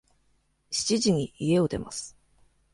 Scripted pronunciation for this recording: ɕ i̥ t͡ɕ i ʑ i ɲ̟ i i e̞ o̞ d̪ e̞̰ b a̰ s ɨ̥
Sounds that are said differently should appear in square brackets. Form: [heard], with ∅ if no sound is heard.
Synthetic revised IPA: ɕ i̥ t͡ɕ i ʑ i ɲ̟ i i e̞ o̞ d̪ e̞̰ [m] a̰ s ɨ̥